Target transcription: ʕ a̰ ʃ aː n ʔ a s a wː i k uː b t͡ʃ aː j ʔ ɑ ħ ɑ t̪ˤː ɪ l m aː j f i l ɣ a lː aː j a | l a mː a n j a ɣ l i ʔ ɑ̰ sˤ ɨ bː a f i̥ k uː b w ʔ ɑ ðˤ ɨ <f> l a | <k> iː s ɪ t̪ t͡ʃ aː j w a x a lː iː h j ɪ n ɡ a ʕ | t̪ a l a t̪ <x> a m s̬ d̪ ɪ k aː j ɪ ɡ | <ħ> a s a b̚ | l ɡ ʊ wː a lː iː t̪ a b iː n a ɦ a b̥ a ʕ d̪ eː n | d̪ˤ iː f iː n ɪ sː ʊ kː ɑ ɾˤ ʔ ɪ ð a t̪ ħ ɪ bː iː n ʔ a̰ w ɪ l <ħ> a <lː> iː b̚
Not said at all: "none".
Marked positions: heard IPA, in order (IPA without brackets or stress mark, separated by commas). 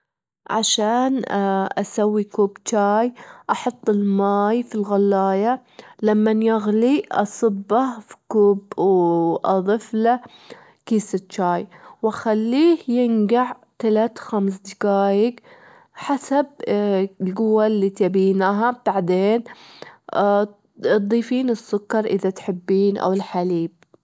f, k, x, ħ, ħ, l